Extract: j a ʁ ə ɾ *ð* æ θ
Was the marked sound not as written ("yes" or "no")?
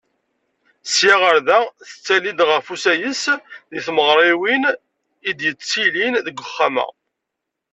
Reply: no